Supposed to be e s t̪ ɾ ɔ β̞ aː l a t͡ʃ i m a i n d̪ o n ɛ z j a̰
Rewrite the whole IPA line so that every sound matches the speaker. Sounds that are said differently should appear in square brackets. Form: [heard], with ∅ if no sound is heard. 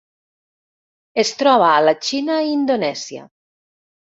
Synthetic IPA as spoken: e s t̪ ɾ ɔ β̞ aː l a t͡ʃ i [n] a i n d̪ o n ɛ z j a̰